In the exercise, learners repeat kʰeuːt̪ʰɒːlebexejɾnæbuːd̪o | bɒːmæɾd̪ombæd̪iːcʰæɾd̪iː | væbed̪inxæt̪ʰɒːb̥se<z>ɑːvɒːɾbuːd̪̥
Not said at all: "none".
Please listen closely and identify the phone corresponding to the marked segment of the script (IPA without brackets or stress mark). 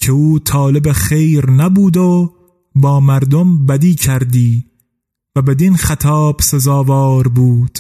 z